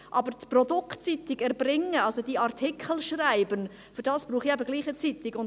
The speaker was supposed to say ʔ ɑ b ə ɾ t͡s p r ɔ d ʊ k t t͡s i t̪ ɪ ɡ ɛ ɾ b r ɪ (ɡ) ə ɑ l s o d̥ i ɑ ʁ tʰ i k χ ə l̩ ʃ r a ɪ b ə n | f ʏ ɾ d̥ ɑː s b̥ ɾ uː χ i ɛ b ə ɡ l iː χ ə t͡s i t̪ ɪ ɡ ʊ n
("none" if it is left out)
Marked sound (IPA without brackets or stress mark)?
ŋ